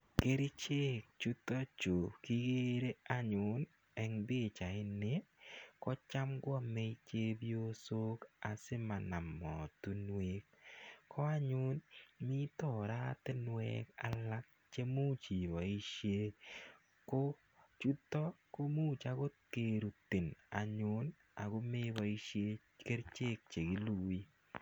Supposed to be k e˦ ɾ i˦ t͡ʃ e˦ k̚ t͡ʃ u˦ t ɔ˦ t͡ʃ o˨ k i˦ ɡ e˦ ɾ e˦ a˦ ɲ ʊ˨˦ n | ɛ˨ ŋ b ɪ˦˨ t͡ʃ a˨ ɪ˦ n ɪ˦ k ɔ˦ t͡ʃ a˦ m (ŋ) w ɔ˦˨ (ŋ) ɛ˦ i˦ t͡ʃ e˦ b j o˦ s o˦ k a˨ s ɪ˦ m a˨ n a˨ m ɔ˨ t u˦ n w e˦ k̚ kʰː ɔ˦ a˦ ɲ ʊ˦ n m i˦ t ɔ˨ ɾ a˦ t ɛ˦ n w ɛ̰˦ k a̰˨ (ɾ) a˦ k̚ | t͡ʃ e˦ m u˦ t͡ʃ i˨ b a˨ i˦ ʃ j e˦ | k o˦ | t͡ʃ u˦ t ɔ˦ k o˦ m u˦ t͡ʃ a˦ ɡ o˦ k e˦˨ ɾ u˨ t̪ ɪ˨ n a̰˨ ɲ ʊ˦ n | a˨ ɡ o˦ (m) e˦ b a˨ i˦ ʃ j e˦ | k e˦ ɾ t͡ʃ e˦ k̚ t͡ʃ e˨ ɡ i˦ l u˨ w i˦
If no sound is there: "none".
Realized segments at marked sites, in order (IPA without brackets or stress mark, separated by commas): ɡ, m, l, m